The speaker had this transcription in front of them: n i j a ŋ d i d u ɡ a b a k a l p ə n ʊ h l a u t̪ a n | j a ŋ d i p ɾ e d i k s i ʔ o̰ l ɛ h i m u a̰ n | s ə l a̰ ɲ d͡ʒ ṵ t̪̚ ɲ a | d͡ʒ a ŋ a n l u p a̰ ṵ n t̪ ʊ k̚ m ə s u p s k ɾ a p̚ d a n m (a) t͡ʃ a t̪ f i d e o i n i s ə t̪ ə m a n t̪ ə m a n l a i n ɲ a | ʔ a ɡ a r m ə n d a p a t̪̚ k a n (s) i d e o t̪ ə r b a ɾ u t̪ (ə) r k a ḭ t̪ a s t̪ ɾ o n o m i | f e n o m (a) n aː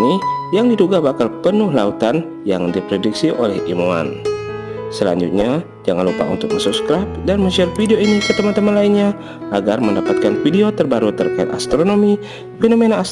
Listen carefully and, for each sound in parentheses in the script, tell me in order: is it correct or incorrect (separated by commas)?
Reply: incorrect, incorrect, correct, incorrect